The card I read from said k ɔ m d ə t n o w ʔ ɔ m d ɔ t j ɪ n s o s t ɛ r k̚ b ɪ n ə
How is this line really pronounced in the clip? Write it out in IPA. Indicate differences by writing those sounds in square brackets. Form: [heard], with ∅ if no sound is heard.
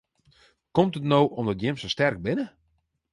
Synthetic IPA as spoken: k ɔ m [t] ə t n o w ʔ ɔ m d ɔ t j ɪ [m] s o s t ɛ r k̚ b ɪ n ə